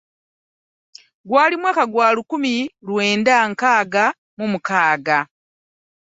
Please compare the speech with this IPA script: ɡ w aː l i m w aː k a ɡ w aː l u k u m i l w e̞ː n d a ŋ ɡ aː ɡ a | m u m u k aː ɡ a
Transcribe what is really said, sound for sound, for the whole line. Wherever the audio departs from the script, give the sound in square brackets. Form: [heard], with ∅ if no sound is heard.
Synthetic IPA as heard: ɡ w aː l i m w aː k a ɡ w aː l u k u m i l w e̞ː n d a ŋ [k] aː ɡ a | m u m u k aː ɡ a